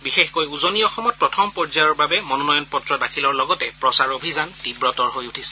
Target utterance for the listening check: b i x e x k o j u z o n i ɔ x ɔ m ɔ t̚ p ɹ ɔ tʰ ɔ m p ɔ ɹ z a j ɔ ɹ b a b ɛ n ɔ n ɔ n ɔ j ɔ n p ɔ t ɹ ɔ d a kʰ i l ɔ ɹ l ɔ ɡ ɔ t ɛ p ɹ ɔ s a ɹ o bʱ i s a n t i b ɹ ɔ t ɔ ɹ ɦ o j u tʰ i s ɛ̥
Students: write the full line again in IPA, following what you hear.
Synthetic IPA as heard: b i x e x k o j u z o n i ɔ x ɔ m ɔ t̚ p ɹ ɔ tʰ ɔ m p ɔ ɹ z a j ɔ ɹ b a b ɛ m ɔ n ɔ n ɔ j ɔ n p ɔ t ɹ ɔ d a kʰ i l ɔ ɹ l ɔ ɡ ɔ t ɛ p ɹ ɔ s a ɹ o bʱ i z a n t i b ɹ ɔ t ɔ ɹ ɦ o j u tʰ i s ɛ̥